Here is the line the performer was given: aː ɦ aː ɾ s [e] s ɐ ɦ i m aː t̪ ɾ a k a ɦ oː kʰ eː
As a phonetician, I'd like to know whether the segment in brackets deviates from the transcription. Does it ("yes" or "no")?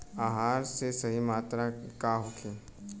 no